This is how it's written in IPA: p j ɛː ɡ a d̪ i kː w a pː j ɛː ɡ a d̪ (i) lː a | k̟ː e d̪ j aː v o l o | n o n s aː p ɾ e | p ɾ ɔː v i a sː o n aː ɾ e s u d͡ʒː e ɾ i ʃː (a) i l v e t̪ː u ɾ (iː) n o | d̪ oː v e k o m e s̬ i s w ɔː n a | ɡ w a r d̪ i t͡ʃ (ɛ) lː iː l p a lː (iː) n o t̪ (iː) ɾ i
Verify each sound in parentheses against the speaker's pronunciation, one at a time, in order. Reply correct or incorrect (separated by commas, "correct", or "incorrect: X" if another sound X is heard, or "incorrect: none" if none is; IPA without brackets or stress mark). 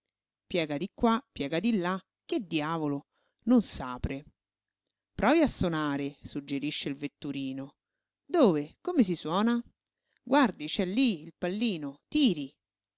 correct, incorrect: e, correct, correct, correct, correct